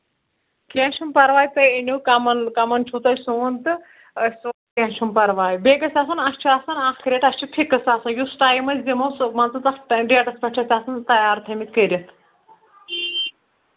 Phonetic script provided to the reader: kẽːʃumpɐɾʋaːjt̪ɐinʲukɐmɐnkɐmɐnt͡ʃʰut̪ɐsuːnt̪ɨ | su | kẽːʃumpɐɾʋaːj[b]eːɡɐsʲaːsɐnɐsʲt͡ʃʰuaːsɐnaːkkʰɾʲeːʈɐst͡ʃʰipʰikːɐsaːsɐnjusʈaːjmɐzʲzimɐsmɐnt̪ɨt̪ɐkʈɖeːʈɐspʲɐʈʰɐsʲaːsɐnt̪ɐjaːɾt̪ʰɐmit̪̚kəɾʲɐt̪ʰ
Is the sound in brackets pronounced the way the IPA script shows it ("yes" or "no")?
yes